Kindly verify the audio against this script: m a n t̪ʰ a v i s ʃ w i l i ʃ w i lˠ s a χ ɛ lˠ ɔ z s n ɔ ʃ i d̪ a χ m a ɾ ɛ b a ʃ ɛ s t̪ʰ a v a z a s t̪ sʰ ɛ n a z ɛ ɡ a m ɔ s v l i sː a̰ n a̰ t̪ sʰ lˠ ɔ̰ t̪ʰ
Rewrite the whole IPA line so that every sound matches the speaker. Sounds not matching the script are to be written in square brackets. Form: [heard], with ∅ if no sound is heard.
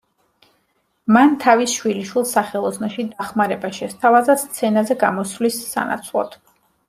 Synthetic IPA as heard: m a n t̪ʰ a v i s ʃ w i l i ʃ w i lˠ s a χ ɛ lˠ ɔ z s n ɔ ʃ i d̪ a χ m a ɾ ɛ b a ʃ ɛ s t̪ʰ a v a z a s t̪ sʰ ɛ n a z ɛ ɡ a m ɔ s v l i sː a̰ n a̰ t̪ sʰ lˠ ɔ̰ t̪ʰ